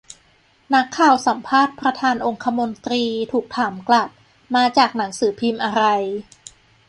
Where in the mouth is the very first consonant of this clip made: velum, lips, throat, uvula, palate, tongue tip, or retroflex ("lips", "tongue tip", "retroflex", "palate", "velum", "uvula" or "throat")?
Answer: tongue tip